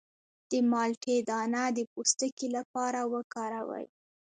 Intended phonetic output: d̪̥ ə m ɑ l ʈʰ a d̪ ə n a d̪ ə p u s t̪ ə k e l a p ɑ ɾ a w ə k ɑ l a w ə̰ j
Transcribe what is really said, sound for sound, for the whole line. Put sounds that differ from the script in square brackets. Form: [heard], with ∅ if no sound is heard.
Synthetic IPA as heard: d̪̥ ə m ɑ l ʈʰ [e] d̪ [ɑ] n a d̪ ə p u s t̪ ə k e l a p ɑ ɾ a w ə k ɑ [ɾ] a w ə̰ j